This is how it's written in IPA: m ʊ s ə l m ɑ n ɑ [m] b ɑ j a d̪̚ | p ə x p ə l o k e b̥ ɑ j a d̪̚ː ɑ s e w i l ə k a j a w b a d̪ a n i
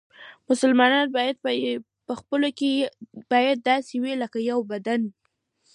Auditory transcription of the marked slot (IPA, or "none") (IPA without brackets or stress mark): n